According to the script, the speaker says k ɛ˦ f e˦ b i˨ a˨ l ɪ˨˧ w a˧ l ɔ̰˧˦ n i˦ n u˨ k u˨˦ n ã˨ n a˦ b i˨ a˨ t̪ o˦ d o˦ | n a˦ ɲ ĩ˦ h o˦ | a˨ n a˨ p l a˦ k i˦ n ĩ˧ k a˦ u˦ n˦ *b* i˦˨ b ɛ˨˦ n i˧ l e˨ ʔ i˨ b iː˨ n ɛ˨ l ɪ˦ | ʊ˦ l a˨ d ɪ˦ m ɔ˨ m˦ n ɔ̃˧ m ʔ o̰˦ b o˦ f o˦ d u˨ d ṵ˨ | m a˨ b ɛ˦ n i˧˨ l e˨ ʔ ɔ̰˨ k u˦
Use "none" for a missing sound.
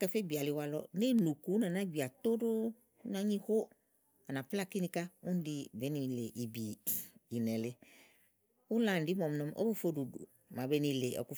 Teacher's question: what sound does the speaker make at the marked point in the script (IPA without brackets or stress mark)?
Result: d